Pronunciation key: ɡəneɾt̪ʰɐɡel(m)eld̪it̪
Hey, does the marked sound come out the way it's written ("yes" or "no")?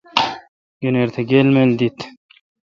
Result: yes